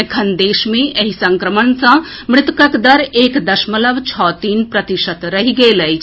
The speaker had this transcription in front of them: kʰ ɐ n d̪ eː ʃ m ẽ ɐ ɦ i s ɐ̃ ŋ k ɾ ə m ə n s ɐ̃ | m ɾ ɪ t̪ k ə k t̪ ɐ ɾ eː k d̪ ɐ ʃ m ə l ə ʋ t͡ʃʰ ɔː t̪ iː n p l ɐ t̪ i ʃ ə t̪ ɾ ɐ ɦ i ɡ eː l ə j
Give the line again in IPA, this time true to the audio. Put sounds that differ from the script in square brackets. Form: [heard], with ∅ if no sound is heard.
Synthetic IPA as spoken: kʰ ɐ n d̪ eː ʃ m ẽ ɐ ɦ i s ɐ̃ ŋ k ɾ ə m ə n s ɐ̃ | m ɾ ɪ t̪ k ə k [d̪] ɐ ɾ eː k d̪ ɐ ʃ m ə l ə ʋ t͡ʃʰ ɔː t̪ iː n p [ɾ] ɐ t̪ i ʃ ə t̪ ɾ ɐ ɦ i ɡ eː l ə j